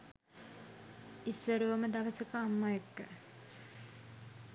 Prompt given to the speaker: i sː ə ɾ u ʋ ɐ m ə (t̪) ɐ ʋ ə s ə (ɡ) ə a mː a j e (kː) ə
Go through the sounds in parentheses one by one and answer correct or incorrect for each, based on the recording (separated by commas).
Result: incorrect, incorrect, correct